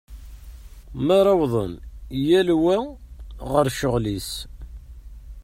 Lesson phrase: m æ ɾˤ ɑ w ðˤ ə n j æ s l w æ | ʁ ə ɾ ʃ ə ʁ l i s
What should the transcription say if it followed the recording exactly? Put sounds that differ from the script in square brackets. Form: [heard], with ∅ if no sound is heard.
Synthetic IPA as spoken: m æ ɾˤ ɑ w ðˤ ə n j æ [∅] l w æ | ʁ ə ɾ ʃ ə ʁ l i s